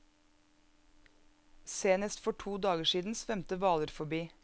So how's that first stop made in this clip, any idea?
plain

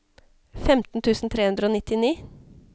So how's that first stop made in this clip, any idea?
plain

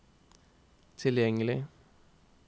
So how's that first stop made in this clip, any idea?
aspirated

